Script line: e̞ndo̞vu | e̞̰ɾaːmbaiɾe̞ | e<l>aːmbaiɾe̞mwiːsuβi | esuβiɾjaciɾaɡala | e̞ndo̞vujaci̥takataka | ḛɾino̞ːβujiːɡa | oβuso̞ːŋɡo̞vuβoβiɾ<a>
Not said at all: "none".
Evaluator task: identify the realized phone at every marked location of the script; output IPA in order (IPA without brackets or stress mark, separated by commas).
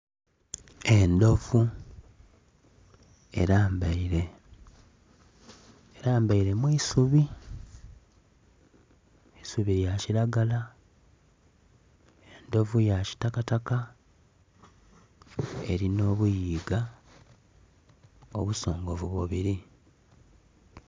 ɾ, i